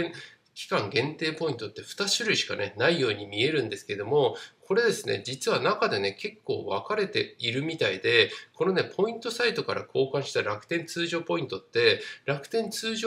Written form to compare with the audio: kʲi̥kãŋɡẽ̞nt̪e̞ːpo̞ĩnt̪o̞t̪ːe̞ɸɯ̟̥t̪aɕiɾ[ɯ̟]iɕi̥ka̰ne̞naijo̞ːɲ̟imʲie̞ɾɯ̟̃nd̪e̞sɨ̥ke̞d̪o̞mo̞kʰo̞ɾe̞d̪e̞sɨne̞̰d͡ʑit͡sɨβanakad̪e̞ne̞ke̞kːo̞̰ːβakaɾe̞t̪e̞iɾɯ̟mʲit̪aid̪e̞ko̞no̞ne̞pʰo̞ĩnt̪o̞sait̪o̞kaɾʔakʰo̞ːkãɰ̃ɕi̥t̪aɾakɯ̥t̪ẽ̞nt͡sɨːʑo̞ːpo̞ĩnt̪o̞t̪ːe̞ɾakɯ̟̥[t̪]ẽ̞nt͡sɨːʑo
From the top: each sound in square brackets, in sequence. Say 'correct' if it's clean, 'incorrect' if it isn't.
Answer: correct, correct

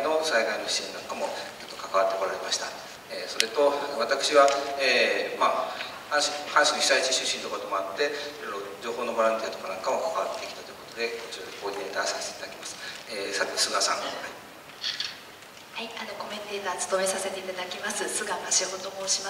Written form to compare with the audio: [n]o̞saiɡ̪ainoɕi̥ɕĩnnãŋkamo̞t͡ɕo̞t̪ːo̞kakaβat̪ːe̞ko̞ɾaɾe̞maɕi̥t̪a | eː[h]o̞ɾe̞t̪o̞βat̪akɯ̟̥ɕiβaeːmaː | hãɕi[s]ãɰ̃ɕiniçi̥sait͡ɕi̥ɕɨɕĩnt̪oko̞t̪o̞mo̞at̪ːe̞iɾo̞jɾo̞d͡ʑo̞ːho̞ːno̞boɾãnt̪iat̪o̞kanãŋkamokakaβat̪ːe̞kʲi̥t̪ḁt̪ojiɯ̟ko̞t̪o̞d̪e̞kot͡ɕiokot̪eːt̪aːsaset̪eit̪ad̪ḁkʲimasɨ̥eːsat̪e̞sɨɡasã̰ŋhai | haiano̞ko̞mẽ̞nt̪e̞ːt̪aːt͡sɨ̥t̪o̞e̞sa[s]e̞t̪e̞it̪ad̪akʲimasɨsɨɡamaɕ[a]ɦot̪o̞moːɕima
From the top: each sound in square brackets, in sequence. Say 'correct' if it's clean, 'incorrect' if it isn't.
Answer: correct, incorrect, incorrect, correct, incorrect

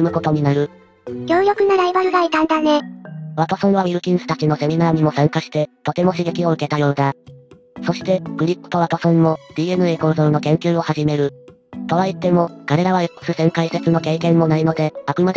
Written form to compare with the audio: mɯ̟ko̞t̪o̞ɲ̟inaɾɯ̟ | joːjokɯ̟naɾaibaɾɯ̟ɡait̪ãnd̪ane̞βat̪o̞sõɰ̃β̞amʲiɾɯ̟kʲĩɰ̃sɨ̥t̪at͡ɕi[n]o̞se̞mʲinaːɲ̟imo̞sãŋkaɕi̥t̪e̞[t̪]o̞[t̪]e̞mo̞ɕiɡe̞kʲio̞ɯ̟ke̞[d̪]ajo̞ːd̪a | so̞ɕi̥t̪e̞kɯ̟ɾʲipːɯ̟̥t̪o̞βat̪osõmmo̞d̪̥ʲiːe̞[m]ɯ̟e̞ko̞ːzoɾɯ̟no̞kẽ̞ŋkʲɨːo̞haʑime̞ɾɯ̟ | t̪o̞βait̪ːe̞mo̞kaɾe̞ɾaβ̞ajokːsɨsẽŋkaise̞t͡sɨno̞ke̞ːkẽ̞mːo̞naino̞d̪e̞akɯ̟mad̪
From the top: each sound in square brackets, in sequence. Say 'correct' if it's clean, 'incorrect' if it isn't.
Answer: correct, correct, correct, incorrect, incorrect

